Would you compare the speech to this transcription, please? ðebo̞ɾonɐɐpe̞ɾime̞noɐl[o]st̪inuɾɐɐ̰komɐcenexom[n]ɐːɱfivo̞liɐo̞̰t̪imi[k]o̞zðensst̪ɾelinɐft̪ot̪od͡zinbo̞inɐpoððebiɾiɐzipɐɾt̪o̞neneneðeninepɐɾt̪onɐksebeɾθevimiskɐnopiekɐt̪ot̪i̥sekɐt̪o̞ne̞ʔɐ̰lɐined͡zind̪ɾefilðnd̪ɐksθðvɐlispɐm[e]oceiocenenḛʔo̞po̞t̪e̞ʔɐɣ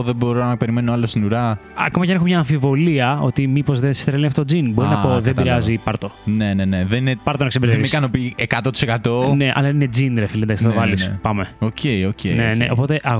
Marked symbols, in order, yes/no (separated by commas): yes, no, no, yes